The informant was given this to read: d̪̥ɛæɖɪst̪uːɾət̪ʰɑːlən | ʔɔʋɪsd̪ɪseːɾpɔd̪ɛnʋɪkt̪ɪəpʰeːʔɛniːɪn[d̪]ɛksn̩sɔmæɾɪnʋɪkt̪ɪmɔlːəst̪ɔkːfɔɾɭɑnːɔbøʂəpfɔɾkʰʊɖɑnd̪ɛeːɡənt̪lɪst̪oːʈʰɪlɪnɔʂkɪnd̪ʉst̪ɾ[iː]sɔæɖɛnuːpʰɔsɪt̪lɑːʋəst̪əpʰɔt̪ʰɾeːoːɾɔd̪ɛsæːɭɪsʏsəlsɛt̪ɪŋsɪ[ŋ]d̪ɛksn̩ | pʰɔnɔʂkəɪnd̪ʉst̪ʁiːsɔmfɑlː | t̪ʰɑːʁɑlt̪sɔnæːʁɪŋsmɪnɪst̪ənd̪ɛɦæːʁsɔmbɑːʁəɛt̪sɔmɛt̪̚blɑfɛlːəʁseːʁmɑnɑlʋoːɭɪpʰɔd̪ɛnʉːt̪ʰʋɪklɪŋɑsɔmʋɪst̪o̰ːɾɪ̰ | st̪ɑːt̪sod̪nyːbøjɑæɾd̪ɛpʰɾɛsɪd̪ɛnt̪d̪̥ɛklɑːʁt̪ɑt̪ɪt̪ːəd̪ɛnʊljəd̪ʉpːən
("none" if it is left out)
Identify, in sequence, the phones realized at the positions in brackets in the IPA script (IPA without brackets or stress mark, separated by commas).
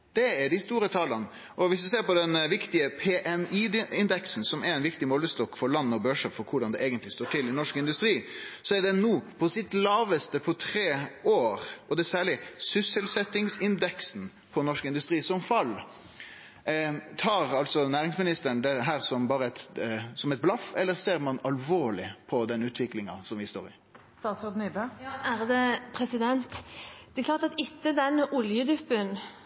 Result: d̪, iː, n